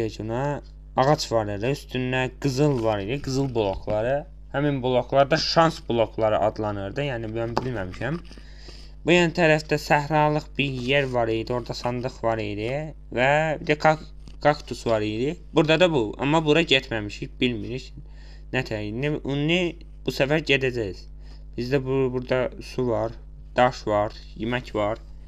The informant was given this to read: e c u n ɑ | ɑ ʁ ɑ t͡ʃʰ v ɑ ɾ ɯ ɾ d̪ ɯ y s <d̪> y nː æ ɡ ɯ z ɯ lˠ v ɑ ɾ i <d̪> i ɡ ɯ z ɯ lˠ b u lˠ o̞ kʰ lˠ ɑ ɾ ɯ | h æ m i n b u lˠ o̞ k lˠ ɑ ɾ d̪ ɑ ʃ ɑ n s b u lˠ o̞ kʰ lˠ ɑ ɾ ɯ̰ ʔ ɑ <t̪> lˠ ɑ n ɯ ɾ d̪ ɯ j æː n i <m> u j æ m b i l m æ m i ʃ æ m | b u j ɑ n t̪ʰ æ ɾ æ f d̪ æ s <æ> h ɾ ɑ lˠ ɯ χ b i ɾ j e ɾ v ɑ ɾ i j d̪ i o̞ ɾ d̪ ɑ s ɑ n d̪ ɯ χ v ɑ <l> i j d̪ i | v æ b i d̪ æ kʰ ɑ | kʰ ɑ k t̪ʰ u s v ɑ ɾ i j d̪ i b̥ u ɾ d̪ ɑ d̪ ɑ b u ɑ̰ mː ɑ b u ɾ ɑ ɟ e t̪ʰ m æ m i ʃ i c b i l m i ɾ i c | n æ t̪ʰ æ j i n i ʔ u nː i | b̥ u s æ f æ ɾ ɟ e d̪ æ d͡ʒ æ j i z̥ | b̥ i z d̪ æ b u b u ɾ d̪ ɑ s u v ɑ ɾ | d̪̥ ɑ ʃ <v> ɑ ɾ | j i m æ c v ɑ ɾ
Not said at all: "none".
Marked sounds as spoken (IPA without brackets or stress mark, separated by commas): t̪, d̪, d̪, b, æ, ɾ, v